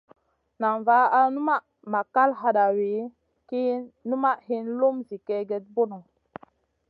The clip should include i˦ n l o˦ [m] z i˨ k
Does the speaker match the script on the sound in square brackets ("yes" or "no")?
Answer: yes